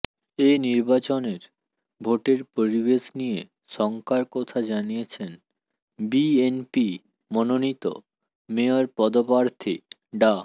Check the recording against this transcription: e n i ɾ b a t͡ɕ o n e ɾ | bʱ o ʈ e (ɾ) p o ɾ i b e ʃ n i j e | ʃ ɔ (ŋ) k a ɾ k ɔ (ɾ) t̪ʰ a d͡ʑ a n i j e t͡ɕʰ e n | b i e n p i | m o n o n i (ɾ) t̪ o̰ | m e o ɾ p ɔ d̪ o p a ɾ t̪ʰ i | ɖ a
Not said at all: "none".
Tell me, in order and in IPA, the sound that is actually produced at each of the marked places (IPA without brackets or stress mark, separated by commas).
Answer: ɾ, ŋ, none, none